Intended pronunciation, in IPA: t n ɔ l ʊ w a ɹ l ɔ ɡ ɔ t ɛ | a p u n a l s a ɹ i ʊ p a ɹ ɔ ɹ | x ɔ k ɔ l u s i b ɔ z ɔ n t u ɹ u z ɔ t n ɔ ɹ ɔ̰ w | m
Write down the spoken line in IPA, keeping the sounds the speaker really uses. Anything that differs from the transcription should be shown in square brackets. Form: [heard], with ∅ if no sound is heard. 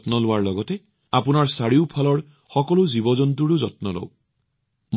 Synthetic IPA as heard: t n ɔ l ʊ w a ɹ l ɔ ɡ ɔ t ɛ | a p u n a [ɹ] s a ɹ i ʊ [pʰ] a [l] ɔ ɹ | x ɔ k ɔ l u [z] i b ɔ z ɔ n t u ɹ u z ɔ t n ɔ [l] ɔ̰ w | m